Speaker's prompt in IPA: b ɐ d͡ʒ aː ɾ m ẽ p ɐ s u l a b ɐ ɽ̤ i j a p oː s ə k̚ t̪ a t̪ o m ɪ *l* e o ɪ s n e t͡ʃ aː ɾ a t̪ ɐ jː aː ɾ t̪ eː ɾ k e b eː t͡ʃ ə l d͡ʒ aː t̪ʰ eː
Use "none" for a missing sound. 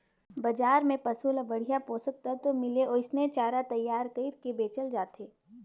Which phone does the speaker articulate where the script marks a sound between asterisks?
l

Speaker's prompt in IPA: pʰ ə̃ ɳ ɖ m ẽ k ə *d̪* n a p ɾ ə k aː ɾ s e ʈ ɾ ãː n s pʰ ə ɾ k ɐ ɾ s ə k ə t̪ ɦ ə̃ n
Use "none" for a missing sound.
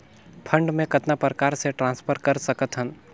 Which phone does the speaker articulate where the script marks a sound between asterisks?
t̪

